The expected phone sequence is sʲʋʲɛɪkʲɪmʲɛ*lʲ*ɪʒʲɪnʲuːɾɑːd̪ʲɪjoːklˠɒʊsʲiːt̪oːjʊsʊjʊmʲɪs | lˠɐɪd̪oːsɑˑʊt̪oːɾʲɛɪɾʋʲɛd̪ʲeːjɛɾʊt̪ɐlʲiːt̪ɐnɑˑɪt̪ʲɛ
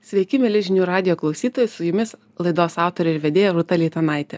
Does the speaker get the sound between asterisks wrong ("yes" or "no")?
no